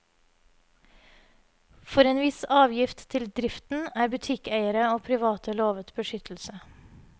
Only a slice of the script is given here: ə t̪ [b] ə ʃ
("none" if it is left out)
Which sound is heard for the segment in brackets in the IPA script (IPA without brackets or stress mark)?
b